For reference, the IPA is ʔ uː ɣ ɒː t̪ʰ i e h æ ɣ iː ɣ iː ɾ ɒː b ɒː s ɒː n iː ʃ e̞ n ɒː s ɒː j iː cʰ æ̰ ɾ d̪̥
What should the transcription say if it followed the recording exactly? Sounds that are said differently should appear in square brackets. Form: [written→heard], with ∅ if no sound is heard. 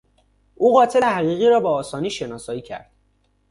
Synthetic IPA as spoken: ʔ uː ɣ ɒː t̪ʰ [i→e] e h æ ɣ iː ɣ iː ɾ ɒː b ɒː s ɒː n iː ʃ e̞ n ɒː s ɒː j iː cʰ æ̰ ɾ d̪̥